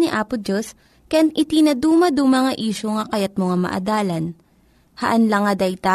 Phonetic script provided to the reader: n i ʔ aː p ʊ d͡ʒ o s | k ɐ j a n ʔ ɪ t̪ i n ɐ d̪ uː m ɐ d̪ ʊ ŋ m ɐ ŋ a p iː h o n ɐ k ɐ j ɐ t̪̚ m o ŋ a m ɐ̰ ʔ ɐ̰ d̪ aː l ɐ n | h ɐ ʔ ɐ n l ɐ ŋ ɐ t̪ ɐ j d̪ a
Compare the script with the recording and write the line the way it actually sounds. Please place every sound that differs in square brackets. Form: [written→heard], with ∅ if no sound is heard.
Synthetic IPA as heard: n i ʔ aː p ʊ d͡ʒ o s | k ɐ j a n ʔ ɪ t̪ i n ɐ d̪ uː m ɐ d̪ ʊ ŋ m ɐ ŋ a [p→ʔ] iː [h→ʃ] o [n→ŋ] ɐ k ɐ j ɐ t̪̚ m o ŋ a m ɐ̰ ʔ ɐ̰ d̪ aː l ɐ n | h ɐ ʔ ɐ n l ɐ ŋ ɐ [t̪→d̪] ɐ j [d̪→t̪] a